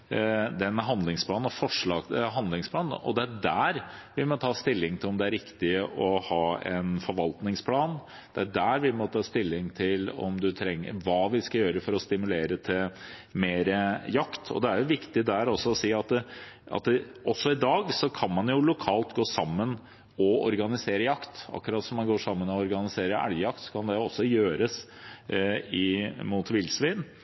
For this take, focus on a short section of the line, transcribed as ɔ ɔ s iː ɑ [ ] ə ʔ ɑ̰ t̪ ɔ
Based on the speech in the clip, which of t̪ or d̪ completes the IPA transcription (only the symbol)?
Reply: t̪